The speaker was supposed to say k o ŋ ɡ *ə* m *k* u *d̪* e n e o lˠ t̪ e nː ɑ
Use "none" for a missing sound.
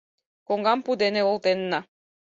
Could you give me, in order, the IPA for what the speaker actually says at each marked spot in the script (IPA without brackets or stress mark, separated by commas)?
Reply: ɑ, p, d̪